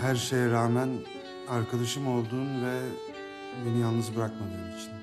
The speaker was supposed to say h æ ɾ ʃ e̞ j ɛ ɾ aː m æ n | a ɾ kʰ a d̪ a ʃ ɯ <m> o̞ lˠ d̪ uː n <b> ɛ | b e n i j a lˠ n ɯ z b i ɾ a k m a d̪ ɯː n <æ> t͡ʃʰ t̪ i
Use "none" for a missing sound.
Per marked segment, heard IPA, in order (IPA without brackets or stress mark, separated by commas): m, v, i